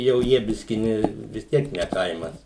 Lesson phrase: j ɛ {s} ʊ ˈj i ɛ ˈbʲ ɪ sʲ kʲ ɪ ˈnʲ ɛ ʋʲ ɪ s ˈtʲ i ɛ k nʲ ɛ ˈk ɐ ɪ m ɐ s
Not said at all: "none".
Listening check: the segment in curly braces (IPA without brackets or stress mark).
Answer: none